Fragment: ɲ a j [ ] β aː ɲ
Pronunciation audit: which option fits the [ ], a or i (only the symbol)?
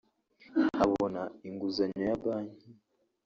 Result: a